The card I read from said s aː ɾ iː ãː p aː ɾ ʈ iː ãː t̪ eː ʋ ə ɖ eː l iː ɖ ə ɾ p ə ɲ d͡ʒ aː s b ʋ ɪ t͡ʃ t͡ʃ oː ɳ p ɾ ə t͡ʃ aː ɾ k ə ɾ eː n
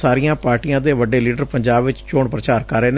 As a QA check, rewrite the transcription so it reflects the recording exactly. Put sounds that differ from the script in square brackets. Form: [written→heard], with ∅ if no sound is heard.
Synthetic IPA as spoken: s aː ɾ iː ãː p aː ɾ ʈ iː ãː [t̪→d̪] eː ʋ ə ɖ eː l iː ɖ ə ɾ p ə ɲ d͡ʒ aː [s→∅] b ʋ ɪ t͡ʃ t͡ʃ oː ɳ p ɾ ə t͡ʃ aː ɾ k ə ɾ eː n